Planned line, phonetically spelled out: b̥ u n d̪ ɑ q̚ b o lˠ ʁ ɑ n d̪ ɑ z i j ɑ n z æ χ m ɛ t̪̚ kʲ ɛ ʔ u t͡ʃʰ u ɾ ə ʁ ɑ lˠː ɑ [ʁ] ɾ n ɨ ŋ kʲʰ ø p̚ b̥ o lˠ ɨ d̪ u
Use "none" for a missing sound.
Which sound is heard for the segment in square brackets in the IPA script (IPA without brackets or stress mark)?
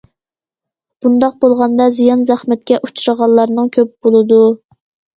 none